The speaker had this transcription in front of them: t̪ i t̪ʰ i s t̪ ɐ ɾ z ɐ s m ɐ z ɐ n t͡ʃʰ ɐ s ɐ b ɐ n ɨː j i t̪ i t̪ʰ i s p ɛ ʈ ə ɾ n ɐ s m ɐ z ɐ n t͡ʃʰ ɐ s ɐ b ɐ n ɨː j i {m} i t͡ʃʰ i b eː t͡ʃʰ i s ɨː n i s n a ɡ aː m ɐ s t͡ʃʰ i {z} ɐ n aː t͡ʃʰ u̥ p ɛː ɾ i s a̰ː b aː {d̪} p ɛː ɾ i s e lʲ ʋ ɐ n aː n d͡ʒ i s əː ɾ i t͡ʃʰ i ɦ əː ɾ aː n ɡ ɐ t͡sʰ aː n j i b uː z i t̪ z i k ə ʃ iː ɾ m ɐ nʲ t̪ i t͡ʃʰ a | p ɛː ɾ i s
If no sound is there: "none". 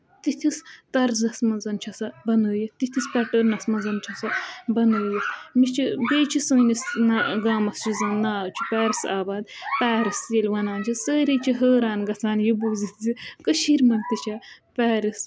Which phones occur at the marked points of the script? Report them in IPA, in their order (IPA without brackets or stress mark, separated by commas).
m, z, d̪